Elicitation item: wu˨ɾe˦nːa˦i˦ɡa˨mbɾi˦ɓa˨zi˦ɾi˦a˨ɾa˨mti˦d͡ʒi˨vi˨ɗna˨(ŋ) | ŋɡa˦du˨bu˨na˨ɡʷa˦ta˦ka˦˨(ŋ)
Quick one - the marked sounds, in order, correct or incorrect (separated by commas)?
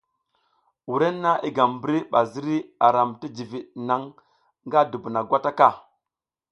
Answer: correct, incorrect